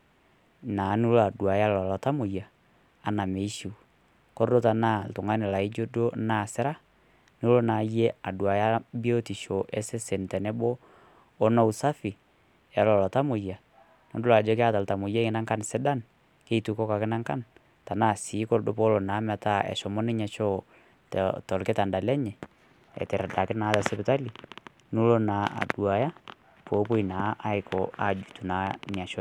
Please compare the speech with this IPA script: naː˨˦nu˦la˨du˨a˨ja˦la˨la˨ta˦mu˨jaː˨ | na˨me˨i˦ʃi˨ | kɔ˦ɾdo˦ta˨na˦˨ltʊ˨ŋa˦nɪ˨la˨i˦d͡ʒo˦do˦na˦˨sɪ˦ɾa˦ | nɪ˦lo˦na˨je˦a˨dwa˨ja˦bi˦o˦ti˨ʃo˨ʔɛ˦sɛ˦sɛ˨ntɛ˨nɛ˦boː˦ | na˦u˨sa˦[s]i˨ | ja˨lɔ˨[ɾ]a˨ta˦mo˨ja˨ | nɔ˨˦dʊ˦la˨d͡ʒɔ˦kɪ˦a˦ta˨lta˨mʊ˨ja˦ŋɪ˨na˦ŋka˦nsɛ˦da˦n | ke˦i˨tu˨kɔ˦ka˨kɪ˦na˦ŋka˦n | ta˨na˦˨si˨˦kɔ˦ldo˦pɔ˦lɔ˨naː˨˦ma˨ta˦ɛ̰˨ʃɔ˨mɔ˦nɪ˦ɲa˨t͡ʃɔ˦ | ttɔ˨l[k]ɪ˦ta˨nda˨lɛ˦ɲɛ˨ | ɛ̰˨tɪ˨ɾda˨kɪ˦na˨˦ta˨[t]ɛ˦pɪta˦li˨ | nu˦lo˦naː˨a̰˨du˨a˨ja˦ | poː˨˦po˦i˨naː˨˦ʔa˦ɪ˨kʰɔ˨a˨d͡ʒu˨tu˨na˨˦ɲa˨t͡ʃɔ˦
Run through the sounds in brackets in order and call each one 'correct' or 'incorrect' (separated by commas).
incorrect, incorrect, correct, incorrect